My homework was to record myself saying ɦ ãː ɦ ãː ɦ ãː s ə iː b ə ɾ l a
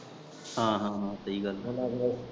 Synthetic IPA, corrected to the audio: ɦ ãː ɦ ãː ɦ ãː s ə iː ɡ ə l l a